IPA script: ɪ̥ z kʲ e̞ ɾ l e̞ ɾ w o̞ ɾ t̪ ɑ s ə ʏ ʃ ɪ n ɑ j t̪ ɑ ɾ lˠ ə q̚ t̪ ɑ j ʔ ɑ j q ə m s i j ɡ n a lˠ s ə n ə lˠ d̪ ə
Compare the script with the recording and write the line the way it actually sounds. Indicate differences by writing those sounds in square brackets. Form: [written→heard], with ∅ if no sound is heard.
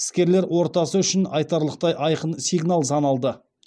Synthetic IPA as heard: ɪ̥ [z→s] kʲ e̞ ɾ l e̞ ɾ w o̞ ɾ t̪ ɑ s ə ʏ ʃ ɪ n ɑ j t̪ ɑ ɾ lˠ ə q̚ t̪ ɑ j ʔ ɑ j q ə [m→n] s i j ɡ n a lˠ s [ə→ɑ] n [ə→ɑ] lˠ d̪ ə